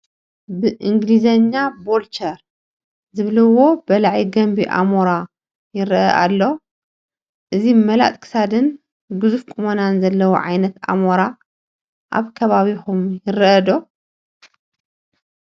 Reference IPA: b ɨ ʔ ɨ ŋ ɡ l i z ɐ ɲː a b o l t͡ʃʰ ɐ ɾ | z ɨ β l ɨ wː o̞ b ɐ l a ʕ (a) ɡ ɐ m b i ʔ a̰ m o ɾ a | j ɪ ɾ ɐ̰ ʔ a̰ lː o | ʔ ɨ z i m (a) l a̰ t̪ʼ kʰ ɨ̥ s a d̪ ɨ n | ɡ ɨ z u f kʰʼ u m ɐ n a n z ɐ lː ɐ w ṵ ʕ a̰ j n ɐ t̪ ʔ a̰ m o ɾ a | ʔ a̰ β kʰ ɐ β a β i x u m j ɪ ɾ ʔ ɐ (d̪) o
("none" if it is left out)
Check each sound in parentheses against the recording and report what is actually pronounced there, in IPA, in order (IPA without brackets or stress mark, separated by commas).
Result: i, ɐ, d̪